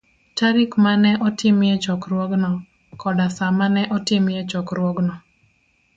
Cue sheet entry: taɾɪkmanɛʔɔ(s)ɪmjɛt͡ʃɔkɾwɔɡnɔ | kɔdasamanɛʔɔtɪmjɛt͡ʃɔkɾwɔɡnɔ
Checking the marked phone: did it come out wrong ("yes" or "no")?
yes